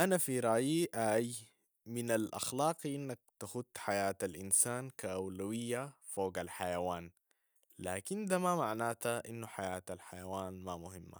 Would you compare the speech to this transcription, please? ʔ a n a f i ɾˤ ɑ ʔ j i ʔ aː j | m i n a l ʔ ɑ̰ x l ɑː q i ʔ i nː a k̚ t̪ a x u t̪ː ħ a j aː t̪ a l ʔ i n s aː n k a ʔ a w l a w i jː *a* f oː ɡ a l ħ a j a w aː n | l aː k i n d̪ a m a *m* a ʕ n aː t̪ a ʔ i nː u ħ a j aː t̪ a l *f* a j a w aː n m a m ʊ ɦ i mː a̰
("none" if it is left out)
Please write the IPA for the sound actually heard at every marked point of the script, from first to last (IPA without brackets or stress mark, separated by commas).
a, m, ħ